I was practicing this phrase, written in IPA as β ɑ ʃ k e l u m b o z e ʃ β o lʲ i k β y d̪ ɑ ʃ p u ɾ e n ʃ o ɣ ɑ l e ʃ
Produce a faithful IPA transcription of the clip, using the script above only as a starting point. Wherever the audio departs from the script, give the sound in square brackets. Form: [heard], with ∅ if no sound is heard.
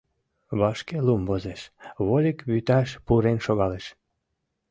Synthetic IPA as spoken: β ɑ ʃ k e l u m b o z e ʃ β o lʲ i k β y [t̪] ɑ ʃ p u ɾ e n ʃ o ɣ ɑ l e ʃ